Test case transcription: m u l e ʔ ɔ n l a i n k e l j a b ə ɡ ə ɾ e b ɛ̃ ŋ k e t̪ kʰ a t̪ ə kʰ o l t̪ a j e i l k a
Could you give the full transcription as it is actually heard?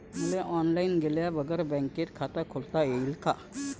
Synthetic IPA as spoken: m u l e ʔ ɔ n l a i n ɡ e l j a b ə ɡ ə ɾ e b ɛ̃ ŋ k e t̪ kʰ a t̪ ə kʰ o l t̪ a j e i l k a

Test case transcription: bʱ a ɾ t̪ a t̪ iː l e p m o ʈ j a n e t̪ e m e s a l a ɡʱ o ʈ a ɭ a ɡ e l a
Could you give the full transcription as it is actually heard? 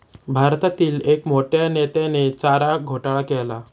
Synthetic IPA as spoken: bʱ a ɾ t̪ a t̪ iː l e k m o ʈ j a n e t̪ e n e t͡s a ɾ a ɡʱ o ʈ a ɭ a k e l a

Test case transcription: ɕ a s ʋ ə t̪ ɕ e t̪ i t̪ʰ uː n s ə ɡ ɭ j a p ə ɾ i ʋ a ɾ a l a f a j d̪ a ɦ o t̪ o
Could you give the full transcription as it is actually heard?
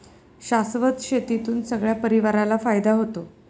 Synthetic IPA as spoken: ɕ a s ʋ ə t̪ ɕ e t̪ i t̪ uː n s ə ɡ ɭ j a p ə ɾ i ʋ a ɾ a l a f a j d̪ a ɦ o t̪ o

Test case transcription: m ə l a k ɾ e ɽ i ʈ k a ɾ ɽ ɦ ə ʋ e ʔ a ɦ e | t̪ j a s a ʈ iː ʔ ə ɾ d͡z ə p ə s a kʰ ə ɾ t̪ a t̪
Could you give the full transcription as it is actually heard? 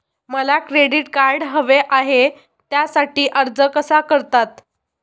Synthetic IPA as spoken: m ə l a k ɾ e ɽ i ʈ k a ɾ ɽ ɦ ə ʋ e ʔ a ɦ e | t̪ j a s a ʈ iː ʔ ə ɾ d͡z ə k ə s a k ə ɾ t̪ a t̪

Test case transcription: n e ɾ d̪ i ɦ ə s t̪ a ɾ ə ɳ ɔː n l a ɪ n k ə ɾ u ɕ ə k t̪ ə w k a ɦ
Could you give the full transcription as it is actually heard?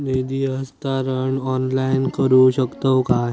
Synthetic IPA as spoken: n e d̪ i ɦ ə s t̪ a ɾ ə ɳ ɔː n l a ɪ n k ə ɾ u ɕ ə k t̪ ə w k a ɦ

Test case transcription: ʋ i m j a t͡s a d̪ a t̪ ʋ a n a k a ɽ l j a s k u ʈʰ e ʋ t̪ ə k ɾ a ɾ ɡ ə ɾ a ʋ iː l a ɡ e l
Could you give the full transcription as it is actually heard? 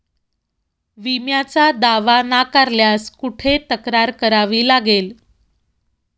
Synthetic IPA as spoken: ʋ i m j a t͡s a d̪ a ʋ a n a k a ɾ l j a s k u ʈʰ e t̪ ə k ɾ a ɾ k ə ɾ a ʋ iː l a ɡ e l

